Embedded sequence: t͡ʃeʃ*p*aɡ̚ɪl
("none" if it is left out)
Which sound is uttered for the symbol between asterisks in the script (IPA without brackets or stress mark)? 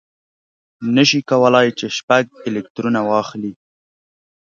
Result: p